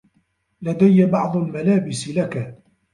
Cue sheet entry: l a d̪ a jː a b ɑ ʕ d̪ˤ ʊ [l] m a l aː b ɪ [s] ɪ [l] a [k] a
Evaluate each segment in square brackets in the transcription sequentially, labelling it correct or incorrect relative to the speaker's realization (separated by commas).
correct, correct, correct, correct